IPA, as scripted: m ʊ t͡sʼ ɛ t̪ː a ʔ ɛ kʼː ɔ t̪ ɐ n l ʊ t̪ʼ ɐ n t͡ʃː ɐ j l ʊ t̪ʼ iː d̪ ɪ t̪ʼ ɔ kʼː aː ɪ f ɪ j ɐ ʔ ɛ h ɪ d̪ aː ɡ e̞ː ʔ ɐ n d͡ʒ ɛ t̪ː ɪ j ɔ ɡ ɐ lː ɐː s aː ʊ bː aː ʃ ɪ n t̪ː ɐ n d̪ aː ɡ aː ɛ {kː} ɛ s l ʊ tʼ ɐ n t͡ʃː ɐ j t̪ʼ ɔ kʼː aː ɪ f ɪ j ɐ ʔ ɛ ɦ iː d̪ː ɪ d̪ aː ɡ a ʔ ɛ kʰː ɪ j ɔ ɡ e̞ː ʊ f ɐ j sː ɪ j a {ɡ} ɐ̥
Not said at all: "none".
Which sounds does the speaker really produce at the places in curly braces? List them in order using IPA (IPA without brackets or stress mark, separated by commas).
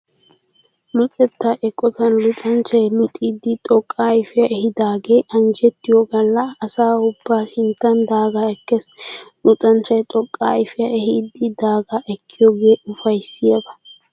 kː, b